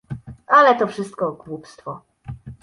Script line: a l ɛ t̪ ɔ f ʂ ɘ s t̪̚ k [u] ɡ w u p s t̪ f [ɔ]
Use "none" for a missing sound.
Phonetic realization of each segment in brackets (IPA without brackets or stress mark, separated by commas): ɔ, ɔ